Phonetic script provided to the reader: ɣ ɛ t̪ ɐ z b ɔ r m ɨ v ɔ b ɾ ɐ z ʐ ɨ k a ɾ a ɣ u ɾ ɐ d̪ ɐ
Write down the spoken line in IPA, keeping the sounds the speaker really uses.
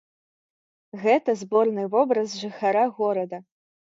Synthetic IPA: ɣ ɛ t̪ ɐ z b ɔ r n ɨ v ɔ b ɾ ɐ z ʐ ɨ x a ɾ a ɣ ɔ ɾ ɐ d̪ ɐ